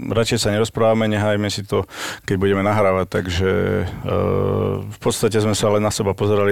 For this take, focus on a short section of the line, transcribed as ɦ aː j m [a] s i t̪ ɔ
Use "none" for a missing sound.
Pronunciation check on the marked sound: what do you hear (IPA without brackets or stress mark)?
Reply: ɛ